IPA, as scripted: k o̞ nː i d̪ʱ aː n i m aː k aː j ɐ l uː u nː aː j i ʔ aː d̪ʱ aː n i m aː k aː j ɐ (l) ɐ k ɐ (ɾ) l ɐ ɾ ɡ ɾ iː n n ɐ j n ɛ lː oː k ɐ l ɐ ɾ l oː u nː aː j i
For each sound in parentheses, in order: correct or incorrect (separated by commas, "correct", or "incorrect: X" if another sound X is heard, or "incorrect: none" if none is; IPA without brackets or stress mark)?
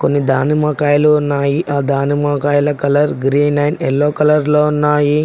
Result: correct, incorrect: none